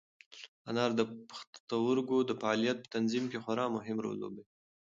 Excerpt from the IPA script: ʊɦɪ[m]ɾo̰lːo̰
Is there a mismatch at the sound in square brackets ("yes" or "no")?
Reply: no